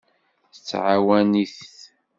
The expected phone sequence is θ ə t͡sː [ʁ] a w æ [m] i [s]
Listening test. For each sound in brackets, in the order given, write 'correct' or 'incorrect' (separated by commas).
incorrect, incorrect, incorrect